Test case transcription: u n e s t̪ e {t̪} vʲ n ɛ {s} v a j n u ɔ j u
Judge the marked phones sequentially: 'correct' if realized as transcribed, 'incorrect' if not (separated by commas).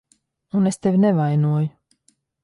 incorrect, incorrect